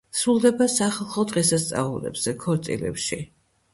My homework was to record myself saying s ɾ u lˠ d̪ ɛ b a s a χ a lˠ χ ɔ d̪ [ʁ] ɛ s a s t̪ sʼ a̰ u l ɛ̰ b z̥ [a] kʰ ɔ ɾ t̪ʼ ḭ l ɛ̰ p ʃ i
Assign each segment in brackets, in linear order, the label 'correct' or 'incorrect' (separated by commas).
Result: correct, incorrect